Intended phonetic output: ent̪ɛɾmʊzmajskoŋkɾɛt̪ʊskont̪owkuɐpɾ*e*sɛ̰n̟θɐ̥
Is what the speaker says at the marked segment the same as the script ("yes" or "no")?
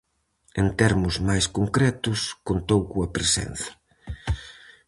yes